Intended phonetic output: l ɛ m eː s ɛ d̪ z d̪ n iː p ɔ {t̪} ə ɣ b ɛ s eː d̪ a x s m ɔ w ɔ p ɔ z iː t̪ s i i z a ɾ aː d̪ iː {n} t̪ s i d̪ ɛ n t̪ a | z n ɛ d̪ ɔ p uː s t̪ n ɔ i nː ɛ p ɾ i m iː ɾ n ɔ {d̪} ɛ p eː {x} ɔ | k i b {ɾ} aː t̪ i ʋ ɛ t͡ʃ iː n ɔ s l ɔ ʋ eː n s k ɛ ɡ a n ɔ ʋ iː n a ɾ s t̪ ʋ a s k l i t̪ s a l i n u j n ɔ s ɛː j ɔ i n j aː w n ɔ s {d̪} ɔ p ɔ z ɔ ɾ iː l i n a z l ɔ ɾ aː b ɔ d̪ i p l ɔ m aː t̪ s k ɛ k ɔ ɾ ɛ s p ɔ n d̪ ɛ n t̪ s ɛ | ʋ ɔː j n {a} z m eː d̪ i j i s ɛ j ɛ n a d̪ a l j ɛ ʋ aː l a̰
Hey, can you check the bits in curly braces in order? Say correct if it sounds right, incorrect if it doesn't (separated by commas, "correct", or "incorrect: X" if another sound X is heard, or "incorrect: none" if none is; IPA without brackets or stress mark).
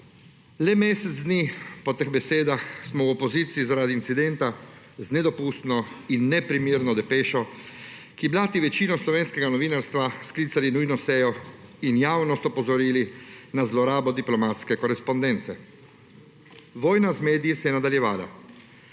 correct, correct, correct, incorrect: ʃ, incorrect: l, incorrect: t̪, correct